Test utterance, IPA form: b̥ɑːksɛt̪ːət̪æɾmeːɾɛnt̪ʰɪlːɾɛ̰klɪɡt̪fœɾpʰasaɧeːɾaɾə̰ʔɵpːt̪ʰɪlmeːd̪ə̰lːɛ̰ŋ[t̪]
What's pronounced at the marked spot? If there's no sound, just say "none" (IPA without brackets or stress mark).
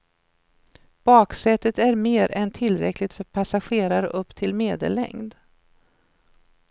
d̪